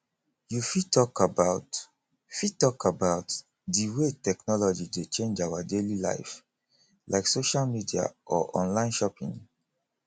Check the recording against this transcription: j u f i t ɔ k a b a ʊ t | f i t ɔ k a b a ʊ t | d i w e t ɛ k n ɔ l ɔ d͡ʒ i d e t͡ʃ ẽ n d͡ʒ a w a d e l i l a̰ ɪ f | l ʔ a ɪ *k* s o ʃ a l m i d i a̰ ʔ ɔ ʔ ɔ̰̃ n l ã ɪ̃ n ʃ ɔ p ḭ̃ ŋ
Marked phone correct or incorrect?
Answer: correct